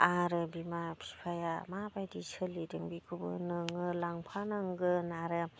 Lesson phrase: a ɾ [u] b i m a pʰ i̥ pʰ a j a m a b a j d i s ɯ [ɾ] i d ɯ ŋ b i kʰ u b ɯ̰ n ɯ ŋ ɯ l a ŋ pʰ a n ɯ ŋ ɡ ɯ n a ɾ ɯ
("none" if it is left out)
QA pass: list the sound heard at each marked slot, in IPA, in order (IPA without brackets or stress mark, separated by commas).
ɯ, l